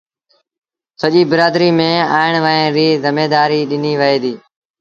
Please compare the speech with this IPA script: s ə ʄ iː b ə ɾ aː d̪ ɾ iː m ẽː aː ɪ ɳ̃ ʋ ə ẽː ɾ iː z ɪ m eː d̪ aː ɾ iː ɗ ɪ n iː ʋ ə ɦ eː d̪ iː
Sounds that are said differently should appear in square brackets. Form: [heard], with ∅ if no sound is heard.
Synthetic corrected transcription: s ə ʄ iː b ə ɾ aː d̪ ɾ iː m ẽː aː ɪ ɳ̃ ʋ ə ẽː ɾ iː z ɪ m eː d̪ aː ɾ iː ɗ ɪ n iː ʋ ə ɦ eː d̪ iː